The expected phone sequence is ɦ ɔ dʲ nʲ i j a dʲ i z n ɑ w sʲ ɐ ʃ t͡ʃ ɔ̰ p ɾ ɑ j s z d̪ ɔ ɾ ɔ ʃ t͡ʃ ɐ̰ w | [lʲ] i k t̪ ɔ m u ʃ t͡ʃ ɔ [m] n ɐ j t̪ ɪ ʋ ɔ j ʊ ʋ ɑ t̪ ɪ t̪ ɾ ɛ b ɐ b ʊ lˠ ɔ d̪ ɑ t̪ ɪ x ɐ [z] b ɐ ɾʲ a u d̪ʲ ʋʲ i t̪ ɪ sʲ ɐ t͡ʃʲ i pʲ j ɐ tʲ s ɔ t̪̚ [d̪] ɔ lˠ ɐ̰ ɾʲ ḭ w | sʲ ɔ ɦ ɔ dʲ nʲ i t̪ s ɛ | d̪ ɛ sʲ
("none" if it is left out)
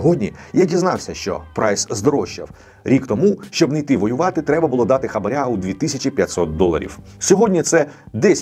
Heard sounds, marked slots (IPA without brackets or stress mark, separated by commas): ɾʲ, b, none, d̪